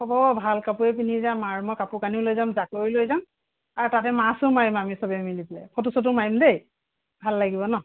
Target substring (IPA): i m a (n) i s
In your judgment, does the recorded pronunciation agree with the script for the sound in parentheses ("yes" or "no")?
no